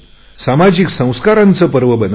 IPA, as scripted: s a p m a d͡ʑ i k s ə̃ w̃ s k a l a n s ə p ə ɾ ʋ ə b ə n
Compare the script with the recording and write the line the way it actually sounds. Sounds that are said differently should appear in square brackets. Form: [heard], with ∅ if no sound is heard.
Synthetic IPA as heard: s a [∅] m a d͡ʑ i k s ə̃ w̃ s k a [ɾ] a n [t͡s] ə p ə ɾ ʋ ə b ə n